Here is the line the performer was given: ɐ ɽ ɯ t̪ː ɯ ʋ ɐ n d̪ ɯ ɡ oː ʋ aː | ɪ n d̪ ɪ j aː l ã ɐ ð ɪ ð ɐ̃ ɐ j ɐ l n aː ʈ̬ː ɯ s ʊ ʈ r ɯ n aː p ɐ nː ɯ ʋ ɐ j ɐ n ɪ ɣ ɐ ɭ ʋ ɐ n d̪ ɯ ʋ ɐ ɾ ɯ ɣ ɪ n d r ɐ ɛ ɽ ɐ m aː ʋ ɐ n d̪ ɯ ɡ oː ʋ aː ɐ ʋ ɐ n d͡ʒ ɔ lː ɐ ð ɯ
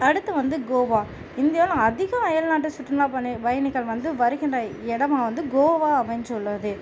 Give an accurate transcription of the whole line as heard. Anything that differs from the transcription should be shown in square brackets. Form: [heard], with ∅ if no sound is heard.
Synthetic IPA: ɐ ɽ ɯ t̪ː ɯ ʋ ɐ n d̪ ɯ ɡ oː ʋ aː | ɪ n d̪ ɪ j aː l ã ɐ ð ɪ [ɣ] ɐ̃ ɐ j ɐ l n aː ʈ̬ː ɯ s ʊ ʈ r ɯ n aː p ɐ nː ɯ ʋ ɐ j ɐ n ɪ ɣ ɐ ɭ ʋ ɐ n d̪ ɯ ʋ ɐ ɾ ɯ ɣ ɪ n d r ɐ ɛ ɽ ɐ m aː ʋ ɐ n d̪ ɯ ɡ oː ʋ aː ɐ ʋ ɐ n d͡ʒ ɔ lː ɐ ð ɯ